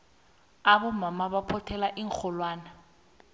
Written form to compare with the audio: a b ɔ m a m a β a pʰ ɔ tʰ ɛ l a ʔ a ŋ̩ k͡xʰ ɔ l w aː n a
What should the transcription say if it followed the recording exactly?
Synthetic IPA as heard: a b ɔ m a m a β a pʰ ɔ tʰ ɛ l a ʔ i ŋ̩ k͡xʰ ɔ l w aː n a